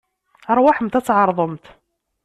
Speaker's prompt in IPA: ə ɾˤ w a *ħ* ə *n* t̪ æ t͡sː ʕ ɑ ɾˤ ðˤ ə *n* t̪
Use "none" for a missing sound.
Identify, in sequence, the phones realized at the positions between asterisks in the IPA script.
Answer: ħ, m, m

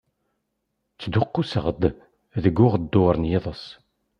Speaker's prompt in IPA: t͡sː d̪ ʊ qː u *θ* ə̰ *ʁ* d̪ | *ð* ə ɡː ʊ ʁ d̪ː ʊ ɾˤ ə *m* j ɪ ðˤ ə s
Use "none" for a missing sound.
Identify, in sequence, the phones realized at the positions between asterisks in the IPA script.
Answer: s, ʁ, ð, n

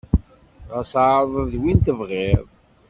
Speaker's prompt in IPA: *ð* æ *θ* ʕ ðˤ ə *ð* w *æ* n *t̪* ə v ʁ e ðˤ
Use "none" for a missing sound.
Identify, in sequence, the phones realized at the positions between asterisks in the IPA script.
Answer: ʁ, s, ð, i, t̪

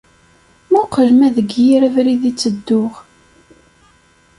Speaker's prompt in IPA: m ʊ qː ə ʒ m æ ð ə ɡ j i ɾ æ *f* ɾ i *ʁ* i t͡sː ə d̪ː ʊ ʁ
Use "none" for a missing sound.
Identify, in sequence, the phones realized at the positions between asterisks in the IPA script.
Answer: v, ð

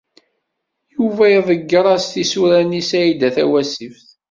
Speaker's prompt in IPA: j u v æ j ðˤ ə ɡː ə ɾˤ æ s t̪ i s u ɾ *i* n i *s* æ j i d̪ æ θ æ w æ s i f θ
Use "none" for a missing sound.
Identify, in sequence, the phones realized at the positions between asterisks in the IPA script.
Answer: æ, s

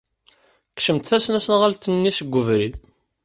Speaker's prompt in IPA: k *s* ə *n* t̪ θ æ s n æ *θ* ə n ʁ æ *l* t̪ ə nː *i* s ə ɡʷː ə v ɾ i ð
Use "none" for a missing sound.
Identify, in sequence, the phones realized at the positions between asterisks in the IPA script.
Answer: ʃ, m, s, l, i

